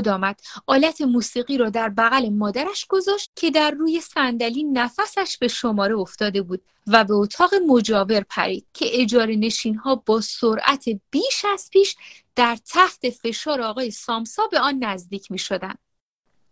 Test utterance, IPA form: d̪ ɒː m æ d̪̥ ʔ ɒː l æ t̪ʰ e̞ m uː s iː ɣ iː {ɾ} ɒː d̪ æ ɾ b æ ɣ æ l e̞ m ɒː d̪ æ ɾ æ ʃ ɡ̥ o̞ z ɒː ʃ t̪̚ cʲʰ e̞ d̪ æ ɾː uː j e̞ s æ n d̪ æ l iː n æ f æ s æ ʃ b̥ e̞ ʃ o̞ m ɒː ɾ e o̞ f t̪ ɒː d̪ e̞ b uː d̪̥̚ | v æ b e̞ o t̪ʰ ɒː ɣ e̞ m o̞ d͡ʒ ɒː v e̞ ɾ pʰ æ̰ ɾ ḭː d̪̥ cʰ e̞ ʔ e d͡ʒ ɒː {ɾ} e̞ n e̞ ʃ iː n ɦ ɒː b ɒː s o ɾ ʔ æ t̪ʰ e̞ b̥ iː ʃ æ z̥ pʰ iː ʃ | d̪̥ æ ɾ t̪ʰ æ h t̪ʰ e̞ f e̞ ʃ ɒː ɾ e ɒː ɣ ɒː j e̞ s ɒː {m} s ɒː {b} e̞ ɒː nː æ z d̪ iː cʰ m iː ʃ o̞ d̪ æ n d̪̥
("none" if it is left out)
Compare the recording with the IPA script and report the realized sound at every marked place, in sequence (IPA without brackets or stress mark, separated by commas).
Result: ɾ, ɾ, m, b